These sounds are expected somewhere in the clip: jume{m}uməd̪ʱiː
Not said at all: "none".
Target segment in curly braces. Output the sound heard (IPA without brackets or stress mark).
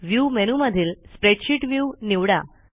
n